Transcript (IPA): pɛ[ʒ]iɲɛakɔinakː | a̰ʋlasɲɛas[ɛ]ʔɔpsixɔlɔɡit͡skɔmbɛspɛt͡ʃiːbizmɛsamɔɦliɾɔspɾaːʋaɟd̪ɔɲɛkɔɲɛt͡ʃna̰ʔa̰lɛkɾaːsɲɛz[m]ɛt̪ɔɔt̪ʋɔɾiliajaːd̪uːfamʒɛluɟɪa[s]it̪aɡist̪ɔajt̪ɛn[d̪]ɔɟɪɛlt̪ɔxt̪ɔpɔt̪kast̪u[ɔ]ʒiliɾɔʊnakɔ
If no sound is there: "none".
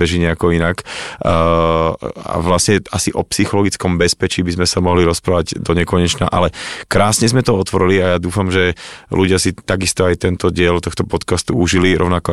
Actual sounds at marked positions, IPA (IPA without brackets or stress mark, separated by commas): ʒ, i, m, s, t̪, u